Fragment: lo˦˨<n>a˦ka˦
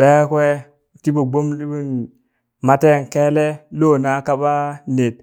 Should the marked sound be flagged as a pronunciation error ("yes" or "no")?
no